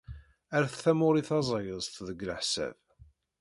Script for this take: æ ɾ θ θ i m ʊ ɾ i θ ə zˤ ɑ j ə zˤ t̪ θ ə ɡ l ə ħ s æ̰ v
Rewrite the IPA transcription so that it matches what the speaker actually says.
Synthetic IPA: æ ɾ θ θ æ m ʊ ɾ i θ ɑ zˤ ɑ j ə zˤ t̪ ð ə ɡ l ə ħ s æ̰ v